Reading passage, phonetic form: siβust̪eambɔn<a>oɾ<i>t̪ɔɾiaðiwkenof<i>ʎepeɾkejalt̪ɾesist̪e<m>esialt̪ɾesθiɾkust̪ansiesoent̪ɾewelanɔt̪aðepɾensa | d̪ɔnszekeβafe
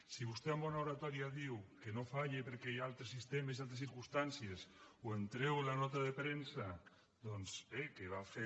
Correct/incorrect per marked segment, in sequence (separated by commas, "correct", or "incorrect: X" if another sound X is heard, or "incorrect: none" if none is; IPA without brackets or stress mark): correct, incorrect: a, incorrect: a, correct